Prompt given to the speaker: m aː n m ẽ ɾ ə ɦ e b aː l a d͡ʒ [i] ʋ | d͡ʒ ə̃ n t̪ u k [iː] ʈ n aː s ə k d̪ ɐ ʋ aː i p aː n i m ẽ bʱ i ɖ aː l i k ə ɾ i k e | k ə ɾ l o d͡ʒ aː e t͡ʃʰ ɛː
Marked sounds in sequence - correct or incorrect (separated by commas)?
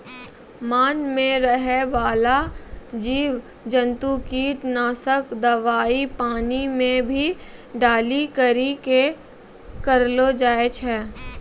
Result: incorrect, correct